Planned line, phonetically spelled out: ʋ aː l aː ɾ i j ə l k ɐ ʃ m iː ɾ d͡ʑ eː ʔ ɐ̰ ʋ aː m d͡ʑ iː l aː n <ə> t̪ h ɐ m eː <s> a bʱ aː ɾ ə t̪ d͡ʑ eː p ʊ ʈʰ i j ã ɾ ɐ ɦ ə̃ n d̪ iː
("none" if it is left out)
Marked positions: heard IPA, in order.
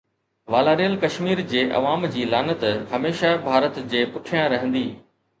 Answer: ə, ʃ

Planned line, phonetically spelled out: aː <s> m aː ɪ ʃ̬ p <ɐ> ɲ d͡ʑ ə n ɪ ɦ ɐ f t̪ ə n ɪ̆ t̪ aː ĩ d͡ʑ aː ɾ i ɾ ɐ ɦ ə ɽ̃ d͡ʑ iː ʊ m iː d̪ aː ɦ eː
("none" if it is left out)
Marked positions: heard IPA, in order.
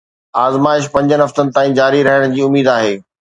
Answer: z, ɐ̃

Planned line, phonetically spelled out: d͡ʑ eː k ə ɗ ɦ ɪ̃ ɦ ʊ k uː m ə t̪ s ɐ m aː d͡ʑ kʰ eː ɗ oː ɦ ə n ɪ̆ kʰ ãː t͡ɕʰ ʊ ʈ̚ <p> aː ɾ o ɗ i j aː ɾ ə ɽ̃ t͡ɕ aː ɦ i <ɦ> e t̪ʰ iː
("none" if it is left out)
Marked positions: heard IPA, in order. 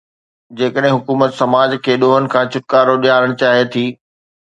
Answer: k, none

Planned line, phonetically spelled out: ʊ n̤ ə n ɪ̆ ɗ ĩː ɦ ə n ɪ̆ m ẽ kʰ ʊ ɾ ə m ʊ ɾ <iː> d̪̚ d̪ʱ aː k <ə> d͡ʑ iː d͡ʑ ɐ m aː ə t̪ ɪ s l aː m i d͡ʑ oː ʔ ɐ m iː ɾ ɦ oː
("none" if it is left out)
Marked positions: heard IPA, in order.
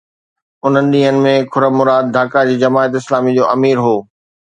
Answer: aː, a

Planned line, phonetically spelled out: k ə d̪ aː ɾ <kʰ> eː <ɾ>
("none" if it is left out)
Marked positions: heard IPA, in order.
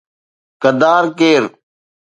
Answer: k, ɾ

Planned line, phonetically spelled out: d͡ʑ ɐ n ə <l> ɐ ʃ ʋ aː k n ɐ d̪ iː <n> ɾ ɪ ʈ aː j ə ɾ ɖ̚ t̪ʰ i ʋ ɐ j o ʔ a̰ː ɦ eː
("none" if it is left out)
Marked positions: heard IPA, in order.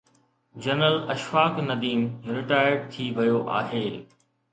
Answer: l, m

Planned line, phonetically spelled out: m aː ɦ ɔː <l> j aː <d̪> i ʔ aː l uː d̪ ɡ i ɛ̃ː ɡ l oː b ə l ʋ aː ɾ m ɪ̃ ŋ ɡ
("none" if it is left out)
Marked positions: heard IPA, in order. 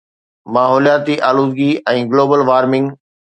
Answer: l, t̪

